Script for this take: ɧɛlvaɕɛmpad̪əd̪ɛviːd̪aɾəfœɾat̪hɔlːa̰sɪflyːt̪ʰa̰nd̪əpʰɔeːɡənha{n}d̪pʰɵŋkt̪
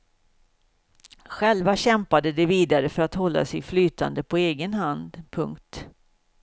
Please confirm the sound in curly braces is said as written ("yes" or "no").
yes